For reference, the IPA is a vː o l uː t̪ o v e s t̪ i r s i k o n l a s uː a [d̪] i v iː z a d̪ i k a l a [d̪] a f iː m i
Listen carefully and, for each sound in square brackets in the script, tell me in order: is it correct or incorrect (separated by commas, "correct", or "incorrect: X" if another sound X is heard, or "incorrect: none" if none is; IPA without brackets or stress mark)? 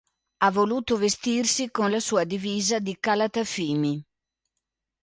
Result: correct, incorrect: t̪